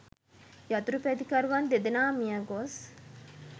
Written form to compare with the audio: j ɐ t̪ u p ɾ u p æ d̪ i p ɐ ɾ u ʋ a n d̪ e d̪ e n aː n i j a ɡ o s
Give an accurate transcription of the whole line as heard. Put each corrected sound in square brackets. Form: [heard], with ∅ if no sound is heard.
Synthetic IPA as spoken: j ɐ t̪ u [∅] ɾ u p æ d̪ i [k] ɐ ɾ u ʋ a n d̪ e d̪ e n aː [m] i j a ɡ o s